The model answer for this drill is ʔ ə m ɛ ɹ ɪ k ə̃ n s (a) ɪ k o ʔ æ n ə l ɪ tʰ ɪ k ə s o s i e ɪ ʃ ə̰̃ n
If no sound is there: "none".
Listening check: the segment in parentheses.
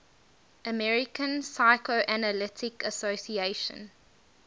a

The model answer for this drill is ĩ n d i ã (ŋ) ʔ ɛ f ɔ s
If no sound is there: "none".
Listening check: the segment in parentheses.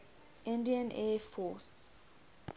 n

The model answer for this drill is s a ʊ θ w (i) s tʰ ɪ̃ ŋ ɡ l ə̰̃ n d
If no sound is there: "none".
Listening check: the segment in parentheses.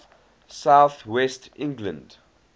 ɛ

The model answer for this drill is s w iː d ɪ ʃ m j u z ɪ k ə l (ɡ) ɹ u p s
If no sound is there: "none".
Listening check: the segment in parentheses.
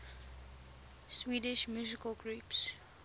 ɡ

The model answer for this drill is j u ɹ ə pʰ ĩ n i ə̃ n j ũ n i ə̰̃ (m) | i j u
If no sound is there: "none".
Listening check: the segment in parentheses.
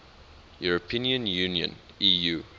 n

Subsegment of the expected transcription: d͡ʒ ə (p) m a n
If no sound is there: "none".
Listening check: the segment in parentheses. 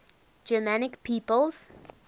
none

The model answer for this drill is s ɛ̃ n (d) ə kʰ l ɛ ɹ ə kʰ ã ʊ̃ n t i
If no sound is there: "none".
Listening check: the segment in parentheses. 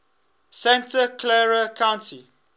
t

